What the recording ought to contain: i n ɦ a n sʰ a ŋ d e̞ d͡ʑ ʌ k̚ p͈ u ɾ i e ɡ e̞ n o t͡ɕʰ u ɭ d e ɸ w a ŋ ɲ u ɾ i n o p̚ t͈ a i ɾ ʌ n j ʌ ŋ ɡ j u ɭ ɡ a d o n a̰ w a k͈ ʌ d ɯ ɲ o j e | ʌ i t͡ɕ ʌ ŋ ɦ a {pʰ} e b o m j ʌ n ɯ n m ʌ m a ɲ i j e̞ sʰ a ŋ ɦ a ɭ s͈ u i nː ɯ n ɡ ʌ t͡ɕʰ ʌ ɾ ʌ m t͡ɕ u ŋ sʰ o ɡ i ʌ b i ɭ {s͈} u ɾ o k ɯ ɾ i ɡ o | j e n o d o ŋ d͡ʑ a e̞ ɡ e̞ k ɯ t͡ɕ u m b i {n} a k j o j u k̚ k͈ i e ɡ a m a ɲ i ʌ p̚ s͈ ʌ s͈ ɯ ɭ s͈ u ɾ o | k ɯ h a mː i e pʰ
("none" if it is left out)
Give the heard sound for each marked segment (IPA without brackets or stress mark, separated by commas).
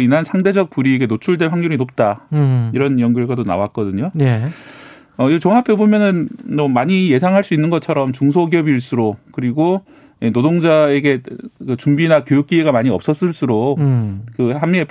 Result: pʰ, s͈, n